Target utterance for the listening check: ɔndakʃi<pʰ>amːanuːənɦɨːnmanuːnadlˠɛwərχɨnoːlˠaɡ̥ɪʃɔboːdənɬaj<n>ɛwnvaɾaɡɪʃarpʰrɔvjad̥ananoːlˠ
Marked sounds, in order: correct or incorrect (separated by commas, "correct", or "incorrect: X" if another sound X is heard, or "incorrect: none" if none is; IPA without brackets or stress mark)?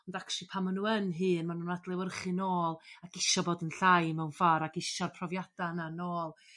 correct, incorrect: m